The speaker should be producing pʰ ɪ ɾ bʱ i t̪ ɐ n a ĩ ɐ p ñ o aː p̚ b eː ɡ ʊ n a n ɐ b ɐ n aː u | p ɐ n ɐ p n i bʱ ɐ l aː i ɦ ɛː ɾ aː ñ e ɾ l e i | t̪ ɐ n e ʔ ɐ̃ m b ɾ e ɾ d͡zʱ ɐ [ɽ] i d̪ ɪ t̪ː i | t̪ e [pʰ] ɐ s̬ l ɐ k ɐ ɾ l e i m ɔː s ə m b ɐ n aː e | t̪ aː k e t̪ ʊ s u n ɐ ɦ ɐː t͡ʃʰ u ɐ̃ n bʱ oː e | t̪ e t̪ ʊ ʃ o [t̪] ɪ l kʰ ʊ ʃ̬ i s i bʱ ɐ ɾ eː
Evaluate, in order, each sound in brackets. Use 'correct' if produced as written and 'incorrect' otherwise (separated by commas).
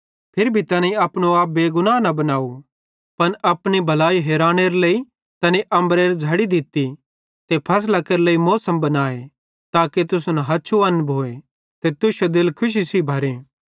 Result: correct, correct, incorrect